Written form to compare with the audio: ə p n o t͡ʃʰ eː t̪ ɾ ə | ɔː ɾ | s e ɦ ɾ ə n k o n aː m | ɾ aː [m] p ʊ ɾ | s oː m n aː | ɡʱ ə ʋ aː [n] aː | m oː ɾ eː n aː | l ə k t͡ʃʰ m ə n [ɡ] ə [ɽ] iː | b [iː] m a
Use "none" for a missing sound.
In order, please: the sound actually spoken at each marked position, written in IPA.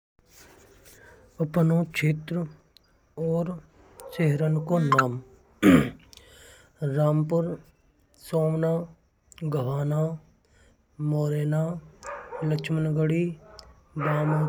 m, n, ɡ, ɽ, aː

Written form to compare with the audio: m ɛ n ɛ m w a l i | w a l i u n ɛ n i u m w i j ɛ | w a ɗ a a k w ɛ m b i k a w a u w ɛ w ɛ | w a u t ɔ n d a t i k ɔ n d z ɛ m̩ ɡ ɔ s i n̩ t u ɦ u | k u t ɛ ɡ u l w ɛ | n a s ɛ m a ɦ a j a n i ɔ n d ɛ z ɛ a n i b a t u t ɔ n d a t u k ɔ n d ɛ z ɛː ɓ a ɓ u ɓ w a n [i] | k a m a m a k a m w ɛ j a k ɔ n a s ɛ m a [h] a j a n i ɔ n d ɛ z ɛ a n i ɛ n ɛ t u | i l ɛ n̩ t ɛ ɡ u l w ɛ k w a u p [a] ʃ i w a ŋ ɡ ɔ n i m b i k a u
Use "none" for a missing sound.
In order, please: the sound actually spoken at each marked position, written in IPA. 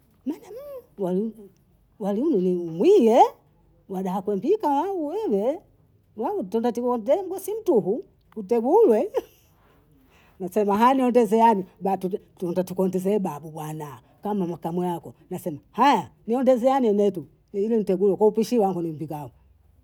a, h, i

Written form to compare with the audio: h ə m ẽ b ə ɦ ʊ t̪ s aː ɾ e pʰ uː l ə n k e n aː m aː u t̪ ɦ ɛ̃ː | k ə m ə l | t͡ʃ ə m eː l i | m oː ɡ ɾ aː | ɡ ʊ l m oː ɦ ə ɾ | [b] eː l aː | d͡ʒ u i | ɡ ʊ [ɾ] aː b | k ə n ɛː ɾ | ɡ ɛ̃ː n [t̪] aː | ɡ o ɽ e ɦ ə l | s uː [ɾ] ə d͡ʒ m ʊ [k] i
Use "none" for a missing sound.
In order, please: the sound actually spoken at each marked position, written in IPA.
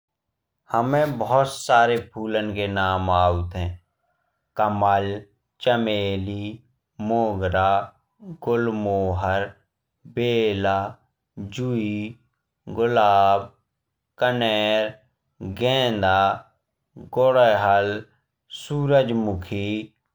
b, l, d̪, ɾ, kʰ

